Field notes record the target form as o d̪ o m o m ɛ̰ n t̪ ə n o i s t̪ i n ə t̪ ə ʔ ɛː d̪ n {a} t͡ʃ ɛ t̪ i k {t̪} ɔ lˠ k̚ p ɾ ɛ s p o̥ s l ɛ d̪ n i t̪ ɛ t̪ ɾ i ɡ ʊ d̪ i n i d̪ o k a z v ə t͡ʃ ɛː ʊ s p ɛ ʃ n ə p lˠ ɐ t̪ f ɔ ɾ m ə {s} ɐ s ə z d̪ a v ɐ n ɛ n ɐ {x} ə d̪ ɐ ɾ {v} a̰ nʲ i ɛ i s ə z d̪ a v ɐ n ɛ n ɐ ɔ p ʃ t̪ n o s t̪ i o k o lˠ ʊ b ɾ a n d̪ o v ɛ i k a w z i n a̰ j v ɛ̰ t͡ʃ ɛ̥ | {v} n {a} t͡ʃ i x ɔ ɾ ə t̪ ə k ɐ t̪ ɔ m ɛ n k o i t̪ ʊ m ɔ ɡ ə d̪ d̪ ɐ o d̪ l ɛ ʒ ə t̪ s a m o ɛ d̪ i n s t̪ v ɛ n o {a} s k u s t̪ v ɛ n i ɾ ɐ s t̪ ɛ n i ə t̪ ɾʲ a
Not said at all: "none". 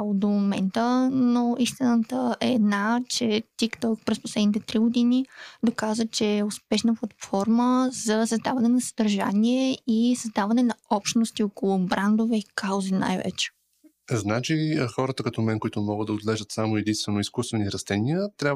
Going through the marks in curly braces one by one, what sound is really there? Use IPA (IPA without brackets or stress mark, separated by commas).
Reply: a, t̪, z, s, ʒ, z, a, i